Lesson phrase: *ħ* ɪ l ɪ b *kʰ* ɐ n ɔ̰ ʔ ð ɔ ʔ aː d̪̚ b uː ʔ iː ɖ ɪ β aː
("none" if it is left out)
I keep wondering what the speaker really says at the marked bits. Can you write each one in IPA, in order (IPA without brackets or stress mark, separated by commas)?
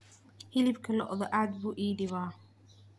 h, kʰ